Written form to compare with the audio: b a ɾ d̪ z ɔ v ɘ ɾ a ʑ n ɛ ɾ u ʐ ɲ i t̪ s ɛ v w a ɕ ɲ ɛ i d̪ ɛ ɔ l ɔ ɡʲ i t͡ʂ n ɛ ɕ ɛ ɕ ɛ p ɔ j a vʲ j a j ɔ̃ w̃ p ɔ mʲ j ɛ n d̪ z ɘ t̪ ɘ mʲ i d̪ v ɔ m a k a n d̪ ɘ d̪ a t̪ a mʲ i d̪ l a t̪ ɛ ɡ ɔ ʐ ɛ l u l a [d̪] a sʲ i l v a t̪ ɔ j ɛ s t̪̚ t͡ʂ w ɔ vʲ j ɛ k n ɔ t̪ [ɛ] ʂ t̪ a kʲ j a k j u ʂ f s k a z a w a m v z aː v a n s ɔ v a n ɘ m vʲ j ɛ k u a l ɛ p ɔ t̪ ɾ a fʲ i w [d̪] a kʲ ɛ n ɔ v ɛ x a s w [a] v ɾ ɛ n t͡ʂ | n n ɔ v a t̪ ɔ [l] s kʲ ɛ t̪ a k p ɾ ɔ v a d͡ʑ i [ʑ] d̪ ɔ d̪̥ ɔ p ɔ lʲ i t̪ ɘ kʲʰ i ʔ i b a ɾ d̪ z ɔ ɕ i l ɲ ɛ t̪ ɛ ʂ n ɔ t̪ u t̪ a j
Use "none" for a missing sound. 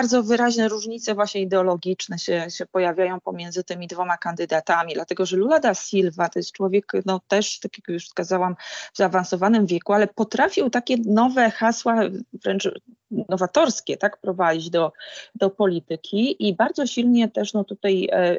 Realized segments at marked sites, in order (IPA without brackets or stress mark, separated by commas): d̪, ɛ, t̪, a, ɾ, d͡ʑ